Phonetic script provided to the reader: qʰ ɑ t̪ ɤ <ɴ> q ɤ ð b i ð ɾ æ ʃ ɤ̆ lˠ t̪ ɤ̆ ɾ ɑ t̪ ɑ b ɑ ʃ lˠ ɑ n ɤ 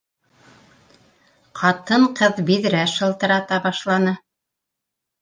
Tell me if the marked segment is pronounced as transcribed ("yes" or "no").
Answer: yes